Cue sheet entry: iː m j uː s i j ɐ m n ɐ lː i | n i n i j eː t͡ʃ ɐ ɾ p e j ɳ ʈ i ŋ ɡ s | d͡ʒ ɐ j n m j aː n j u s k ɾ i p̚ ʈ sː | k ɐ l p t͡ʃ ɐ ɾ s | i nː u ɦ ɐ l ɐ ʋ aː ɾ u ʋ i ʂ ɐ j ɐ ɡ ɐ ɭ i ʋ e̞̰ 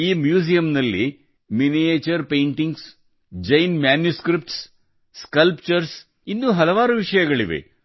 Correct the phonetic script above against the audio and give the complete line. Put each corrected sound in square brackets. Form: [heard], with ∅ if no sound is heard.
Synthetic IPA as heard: iː m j uː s i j ɐ m n ɐ lː i | [m] i n i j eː t͡ʃ ɐ ɾ p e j ɳ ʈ i ŋ ɡ s | d͡ʒ ɐ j n m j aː n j u s k ɾ i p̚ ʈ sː | k ɐ l p t͡ʃ ɐ ɾ s | i nː u ɦ ɐ l ɐ ʋ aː ɾ u ʋ i ʂ ɐ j ɐ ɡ ɐ ɭ i ʋ e̞̰

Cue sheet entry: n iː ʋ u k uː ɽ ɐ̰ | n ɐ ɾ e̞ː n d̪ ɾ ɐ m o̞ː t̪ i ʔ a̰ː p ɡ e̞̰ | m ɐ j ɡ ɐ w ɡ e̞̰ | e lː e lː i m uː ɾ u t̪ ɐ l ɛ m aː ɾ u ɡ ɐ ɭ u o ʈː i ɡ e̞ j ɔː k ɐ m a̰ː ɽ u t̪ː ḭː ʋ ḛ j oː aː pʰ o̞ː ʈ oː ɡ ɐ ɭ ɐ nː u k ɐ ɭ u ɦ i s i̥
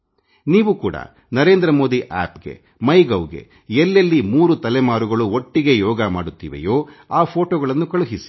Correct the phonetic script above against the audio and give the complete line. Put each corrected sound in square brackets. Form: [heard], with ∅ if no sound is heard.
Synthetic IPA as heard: n iː ʋ u k uː ɽ ɐ̰ | n ɐ ɾ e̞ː n d̪ ɾ ɐ m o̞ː [d̪] i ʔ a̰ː p ɡ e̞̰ | m ɐ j ɡ ɐ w ɡ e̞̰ | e lː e lː i m uː ɾ u t̪ ɐ l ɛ m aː ɾ u ɡ ɐ ɭ u o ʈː i ɡ e̞ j ɔː [ɡ] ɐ m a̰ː ɽ u t̪ː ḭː ʋ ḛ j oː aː pʰ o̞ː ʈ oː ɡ ɐ ɭ ɐ nː u k ɐ ɭ u ɦ i s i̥

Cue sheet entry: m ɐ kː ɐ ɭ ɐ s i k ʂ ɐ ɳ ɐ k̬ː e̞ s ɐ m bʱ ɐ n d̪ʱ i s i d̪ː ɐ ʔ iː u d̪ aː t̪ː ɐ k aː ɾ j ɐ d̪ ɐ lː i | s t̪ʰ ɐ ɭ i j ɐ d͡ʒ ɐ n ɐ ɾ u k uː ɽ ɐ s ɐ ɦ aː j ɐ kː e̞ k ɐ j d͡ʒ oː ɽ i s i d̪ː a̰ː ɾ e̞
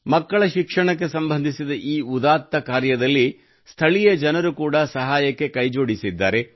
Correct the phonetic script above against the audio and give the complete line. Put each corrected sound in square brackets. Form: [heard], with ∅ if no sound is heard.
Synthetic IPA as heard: m ɐ kː ɐ ɭ ɐ [ʃ] i k ʂ ɐ ɳ ɐ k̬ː e̞ s ɐ m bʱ ɐ n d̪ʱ i s i [d̪] ɐ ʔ iː u d̪ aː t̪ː ɐ k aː ɾ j ɐ d̪ ɐ lː i | s t̪ʰ ɐ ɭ i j ɐ d͡ʒ ɐ n ɐ ɾ u k uː ɽ ɐ s ɐ ɦ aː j ɐ kː e̞ k ɐ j d͡ʒ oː ɽ i s i d̪ː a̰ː ɾ e̞

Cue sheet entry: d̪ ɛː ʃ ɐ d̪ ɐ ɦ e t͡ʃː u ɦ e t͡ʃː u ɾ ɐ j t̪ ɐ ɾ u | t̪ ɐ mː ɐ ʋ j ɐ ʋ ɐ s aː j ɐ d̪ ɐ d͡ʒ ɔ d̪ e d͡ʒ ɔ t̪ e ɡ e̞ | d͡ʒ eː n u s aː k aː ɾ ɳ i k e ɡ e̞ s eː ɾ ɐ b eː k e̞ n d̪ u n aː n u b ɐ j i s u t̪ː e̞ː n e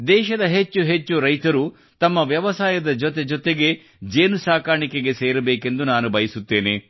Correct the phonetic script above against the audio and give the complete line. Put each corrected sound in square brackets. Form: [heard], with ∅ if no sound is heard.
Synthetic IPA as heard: d̪ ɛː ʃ ɐ d̪ ɐ ɦ e t͡ʃː u ɦ e t͡ʃː u ɾ ɐ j t̪ ɐ ɾ u | t̪ ɐ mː ɐ ʋ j ɐ ʋ ɐ s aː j ɐ d̪ ɐ d͡ʒ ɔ [t̪] e d͡ʒ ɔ t̪ e ɡ e̞ | d͡ʒ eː n u s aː k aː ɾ ɳ i k e ɡ e̞ s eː ɾ ɐ b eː k e̞ n d̪ u n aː n u b ɐ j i s u t̪ː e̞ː n e

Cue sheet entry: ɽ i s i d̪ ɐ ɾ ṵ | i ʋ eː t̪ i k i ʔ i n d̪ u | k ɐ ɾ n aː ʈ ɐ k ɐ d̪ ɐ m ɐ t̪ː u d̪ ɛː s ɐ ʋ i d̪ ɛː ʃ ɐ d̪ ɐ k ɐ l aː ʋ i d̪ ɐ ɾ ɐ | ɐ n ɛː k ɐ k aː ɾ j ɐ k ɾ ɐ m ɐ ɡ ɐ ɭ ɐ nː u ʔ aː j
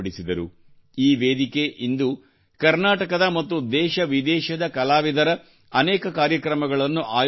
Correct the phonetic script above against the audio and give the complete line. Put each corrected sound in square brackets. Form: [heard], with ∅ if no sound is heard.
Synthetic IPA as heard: ɽ i s i d̪ ɐ ɾ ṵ | [iː] ʋ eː [d̪] i k [e] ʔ i n d̪ u | k ɐ ɾ n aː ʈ ɐ k ɐ d̪ ɐ m ɐ t̪ː u d̪ ɛː [ʃ] ɐ ʋ i d̪ ɛː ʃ ɐ d̪ ɐ k ɐ l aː ʋ i d̪ ɐ ɾ ɐ | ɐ n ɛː k ɐ k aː ɾ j ɐ k ɾ ɐ m ɐ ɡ ɐ ɭ ɐ nː u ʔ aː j

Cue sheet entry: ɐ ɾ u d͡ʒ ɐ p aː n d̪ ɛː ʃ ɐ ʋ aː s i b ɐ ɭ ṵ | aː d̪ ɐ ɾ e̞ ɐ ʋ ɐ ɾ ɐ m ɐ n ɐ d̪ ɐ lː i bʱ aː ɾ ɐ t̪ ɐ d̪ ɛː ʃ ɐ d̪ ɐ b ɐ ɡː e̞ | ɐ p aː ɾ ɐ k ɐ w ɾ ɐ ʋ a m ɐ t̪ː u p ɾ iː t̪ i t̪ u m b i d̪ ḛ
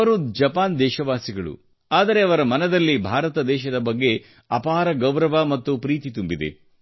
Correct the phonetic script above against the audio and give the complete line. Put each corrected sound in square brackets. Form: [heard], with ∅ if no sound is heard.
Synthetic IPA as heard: ɐ ɾ u d͡ʒ ɐ p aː n d̪ ɛː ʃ ɐ ʋ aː s i [ɡ] ɐ ɭ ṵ | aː d̪ ɐ ɾ e̞ ɐ ʋ ɐ ɾ ɐ m ɐ n ɐ d̪ ɐ lː i bʱ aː ɾ ɐ t̪ ɐ d̪ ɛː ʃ ɐ d̪ ɐ b ɐ ɡː e̞ | ɐ p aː ɾ ɐ [ɡ] ɐ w ɾ ɐ ʋ a m ɐ t̪ː u p ɾ iː t̪ i t̪ u m b i d̪ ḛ

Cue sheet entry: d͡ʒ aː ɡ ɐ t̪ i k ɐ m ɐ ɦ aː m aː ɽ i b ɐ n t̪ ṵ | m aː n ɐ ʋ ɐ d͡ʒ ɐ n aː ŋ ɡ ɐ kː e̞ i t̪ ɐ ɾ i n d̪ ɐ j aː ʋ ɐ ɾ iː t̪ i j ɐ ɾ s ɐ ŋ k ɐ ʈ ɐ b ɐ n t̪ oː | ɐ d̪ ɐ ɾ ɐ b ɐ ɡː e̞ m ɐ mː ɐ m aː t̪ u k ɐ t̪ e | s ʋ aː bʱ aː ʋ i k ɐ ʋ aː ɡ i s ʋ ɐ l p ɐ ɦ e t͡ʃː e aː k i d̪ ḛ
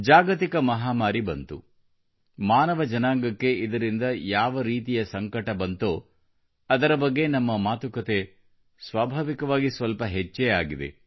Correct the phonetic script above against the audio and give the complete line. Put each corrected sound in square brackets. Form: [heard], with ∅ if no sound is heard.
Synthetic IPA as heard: d͡ʒ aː ɡ ɐ t̪ i k ɐ m ɐ ɦ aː m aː [ɾ] i b ɐ n t̪ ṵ | m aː n ɐ ʋ ɐ d͡ʒ ɐ n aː ŋ ɡ ɐ kː e̞ i [d̪] ɐ ɾ i n d̪ ɐ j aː ʋ ɐ ɾ iː t̪ i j ɐ [∅] s ɐ ŋ k ɐ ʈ ɐ b ɐ n t̪ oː | ɐ d̪ ɐ ɾ ɐ b ɐ ɡː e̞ [n] ɐ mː ɐ m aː t̪ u k ɐ t̪ e | s ʋ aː bʱ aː ʋ i k ɐ ʋ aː ɡ i s ʋ ɐ l p ɐ ɦ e t͡ʃː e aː [ɡ] i d̪ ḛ

